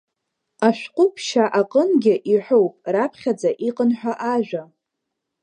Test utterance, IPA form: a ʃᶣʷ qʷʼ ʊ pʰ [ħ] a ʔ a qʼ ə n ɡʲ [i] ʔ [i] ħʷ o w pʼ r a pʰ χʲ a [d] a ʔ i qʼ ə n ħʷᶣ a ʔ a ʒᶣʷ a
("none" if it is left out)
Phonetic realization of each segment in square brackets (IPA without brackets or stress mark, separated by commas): ʃ, ɪ, i, d͡z